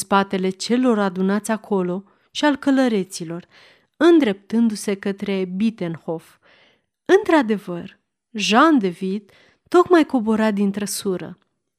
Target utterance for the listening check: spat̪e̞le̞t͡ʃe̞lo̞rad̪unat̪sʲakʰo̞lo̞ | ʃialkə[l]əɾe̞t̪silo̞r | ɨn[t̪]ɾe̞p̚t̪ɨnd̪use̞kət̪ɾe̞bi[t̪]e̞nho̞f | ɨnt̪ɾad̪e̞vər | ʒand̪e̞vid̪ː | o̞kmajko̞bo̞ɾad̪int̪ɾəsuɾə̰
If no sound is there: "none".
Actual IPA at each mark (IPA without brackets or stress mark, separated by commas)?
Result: l, d̪, t̪